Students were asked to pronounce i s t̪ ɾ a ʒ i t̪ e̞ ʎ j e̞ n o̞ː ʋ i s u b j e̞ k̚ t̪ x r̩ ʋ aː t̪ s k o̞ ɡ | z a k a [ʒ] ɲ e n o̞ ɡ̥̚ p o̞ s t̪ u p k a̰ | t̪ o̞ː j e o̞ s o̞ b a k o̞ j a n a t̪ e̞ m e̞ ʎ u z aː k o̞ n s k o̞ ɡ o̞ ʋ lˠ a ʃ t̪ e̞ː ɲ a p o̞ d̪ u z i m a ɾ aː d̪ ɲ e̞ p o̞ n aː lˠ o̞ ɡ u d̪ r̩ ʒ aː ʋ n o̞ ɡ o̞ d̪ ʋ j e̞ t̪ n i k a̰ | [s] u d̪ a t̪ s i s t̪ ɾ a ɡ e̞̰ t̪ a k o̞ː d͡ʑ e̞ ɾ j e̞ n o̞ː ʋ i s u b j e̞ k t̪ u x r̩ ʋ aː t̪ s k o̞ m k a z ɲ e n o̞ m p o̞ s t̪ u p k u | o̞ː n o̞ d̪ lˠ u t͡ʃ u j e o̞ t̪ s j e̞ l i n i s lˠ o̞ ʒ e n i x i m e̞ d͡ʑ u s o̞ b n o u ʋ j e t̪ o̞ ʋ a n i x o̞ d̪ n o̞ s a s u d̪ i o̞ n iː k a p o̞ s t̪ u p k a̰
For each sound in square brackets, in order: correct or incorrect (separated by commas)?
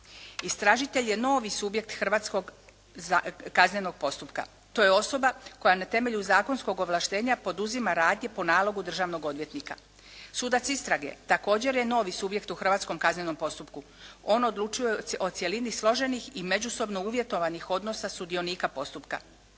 incorrect, correct